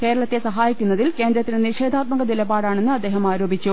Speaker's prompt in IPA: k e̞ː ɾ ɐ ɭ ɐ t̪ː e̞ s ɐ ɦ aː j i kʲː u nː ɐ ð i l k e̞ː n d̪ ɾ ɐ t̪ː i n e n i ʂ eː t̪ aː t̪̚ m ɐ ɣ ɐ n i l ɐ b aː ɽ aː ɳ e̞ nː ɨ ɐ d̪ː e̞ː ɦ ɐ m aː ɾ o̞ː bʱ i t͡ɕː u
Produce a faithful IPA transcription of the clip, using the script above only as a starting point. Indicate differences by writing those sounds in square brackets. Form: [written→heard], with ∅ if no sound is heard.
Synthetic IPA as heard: k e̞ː ɾ ɐ ɭ ɐ t̪ː e̞ s ɐ ɦ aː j i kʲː u nː ɐ ð i l k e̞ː n d̪ ɾ ɐ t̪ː i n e n i ʂ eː [t̪→d̪] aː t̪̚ m ɐ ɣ ɐ n i l ɐ b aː ɽ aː ɳ e̞ nː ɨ ɐ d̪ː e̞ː ɦ ɐ m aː ɾ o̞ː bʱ i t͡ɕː u